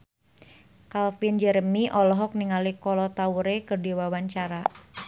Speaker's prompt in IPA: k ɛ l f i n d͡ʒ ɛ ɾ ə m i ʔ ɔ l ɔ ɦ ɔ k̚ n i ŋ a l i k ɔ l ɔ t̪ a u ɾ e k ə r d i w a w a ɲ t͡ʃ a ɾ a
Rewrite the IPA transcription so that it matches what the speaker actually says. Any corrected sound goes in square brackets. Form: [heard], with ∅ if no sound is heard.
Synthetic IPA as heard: k [a] l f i n d͡ʒ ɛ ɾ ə m i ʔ ɔ l ɔ ɦ ɔ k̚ n i ŋ a l i k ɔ l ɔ t̪ a u ɾ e k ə r d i w a w a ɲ t͡ʃ a ɾ a